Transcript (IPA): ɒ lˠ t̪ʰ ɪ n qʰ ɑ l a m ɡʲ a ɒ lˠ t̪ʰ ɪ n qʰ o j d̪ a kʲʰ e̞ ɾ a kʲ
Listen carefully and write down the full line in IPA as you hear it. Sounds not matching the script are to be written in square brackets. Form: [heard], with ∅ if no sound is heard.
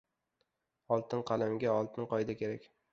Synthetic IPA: ɒ lˠ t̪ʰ ɪ n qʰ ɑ l a m ɡʲ a ɒ lˠ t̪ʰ ɪ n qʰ [ɒ] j d̪ a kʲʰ e̞ ɾ a kʲ